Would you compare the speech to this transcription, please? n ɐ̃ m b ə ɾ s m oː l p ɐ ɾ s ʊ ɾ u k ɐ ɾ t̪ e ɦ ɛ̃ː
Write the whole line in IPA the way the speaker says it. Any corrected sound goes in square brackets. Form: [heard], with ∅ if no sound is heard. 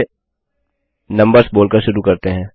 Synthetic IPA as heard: n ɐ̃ m b ə ɾ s [b] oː l [k] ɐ ɾ [ʃ] ʊ ɾ u k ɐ ɾ t̪ e ɦ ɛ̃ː